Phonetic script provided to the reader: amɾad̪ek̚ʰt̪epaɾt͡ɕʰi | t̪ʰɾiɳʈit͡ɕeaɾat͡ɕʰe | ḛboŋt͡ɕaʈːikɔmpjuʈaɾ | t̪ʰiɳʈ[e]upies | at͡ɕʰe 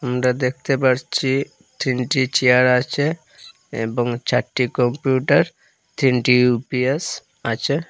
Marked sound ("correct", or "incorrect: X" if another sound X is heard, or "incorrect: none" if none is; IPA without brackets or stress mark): incorrect: i